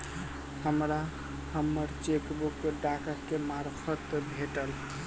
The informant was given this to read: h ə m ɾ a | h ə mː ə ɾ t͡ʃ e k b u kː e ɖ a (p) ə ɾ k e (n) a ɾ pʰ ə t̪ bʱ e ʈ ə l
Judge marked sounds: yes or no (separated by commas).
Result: no, no